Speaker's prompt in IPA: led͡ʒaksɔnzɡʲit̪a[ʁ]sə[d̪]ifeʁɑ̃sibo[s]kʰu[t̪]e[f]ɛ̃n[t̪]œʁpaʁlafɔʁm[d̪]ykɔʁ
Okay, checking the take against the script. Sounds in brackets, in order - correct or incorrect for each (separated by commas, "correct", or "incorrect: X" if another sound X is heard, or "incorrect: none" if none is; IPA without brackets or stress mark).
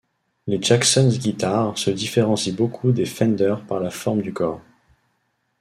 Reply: correct, correct, incorrect: none, incorrect: d̪, correct, incorrect: d̪, correct